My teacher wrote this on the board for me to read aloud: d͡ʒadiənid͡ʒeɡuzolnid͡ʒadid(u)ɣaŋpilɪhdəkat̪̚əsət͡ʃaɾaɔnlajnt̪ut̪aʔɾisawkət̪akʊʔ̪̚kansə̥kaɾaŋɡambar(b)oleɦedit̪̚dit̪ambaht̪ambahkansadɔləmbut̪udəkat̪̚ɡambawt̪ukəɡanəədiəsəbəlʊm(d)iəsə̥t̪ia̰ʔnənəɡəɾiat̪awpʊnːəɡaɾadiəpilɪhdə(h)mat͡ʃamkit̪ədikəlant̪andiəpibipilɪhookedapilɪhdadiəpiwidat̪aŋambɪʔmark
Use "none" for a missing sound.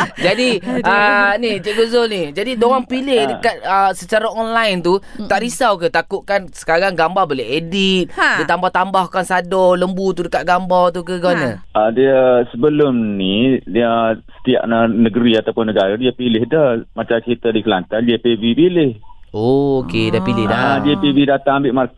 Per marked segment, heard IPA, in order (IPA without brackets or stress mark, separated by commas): o, b, n, h